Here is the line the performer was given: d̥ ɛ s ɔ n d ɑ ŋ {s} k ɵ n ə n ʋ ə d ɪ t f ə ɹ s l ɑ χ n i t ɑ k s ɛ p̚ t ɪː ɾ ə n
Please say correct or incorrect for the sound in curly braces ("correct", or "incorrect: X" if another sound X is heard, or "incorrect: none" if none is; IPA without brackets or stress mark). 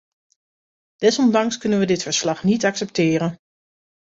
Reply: correct